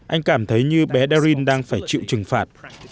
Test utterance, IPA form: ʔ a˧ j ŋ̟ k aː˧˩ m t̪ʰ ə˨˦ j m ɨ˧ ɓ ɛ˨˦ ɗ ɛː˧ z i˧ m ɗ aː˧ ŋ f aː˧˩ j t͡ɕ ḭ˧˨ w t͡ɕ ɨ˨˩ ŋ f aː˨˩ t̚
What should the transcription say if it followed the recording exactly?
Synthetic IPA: ʔ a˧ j ŋ̟ k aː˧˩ m t̪ʰ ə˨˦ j ɲ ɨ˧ ɓ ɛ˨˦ ɗ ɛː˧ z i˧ n ɗ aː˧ ŋ f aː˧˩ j t͡ɕ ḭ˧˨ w t͡ɕ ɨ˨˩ ŋ f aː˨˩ t̚